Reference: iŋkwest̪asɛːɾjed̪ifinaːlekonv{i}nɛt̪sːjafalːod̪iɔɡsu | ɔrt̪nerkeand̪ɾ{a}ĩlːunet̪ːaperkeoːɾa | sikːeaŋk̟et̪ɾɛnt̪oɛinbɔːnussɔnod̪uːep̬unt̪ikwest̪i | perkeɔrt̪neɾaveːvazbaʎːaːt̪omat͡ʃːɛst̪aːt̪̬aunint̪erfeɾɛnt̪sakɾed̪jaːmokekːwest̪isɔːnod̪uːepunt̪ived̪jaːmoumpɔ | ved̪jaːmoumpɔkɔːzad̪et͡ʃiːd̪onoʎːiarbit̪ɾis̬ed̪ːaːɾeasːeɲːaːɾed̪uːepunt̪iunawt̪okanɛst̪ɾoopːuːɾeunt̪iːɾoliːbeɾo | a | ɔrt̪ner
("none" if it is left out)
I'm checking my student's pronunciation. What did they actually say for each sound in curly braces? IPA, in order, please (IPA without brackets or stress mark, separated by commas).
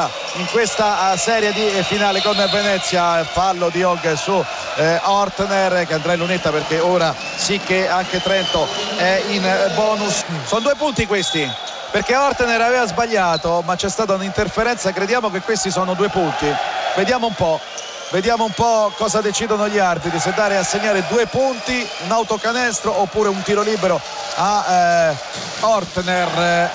e, a